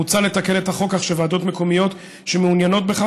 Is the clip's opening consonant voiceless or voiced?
voiceless